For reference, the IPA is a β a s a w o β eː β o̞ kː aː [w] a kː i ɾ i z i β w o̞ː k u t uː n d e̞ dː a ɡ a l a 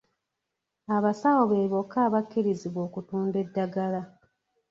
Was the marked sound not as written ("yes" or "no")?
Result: yes